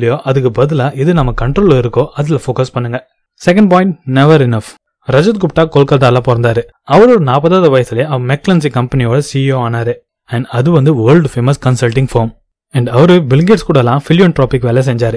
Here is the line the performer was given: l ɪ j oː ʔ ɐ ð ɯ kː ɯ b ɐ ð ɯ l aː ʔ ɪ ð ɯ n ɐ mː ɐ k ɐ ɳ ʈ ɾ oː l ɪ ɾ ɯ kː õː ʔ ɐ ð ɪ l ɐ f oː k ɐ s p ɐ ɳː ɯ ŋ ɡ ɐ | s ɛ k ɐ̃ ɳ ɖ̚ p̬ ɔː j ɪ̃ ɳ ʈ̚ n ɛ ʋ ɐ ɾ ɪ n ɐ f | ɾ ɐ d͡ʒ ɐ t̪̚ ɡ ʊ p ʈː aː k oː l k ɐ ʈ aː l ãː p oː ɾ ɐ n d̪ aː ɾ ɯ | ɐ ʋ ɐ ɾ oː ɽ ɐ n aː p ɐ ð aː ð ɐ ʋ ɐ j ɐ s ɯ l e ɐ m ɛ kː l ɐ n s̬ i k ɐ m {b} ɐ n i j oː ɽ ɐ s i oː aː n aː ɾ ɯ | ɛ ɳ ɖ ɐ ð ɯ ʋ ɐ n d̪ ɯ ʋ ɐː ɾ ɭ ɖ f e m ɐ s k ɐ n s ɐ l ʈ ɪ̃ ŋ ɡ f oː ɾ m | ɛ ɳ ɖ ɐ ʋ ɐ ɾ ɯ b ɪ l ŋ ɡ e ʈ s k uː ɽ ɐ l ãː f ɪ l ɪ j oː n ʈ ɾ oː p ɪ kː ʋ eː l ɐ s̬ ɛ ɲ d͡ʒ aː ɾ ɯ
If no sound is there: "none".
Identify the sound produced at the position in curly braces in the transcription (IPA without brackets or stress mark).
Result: p